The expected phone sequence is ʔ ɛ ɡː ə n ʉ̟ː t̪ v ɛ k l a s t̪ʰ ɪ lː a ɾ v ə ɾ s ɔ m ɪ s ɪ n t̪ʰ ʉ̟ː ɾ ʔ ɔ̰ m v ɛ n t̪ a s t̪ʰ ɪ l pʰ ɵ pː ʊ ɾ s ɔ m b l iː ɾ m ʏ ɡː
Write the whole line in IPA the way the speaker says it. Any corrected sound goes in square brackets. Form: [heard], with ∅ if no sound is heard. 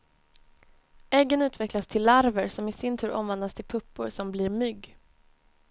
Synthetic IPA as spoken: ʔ ɛ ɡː ə n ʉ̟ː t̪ v ɛ k l a s t̪ʰ ɪ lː a ɾ v ə ɾ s ɔ m ɪ s ɪ n t̪ʰ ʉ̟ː ɾ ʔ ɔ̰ m v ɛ n [d̪] a s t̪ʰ ɪ l pʰ ɵ pː ʊ ɾ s ɔ m b l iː ɾ m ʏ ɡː